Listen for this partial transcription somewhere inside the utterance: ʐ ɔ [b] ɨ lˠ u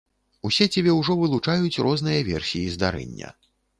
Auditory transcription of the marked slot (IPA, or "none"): v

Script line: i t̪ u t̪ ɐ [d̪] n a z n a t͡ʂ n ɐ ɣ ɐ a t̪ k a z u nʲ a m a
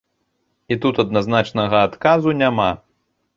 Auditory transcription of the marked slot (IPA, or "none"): d̪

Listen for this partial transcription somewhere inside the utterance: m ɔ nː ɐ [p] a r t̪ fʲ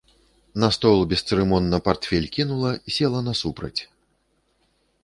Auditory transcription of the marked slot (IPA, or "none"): p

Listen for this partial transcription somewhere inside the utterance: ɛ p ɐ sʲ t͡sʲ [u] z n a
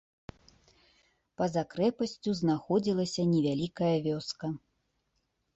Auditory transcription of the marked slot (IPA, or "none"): u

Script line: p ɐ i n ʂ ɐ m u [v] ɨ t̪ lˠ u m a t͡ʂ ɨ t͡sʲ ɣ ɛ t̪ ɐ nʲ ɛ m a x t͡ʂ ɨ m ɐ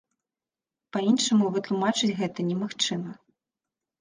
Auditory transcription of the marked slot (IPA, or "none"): v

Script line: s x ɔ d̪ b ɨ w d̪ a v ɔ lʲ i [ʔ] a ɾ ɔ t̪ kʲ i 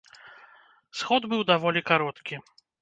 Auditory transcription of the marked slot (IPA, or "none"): k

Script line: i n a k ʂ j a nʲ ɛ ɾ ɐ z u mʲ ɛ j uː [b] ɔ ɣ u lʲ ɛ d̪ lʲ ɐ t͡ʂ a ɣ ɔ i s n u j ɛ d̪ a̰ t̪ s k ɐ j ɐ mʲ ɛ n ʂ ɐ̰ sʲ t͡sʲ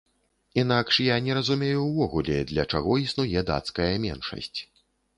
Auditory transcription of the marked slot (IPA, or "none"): v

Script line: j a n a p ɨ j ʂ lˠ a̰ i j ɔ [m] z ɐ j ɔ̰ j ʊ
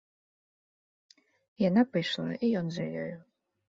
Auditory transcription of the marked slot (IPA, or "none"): n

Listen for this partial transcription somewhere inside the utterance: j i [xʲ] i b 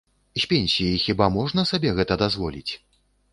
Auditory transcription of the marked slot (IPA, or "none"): xʲ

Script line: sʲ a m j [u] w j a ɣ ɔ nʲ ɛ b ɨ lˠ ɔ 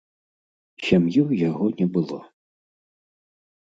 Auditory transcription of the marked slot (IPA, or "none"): u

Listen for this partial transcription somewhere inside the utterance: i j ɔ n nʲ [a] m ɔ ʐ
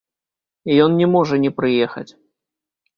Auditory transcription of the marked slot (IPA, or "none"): ɛ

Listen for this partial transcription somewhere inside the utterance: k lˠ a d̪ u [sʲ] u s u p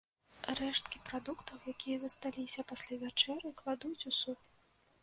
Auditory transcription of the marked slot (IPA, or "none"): t͡sʲ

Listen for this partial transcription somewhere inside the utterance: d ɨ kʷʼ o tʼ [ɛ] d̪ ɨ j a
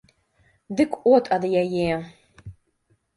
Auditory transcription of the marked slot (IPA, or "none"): a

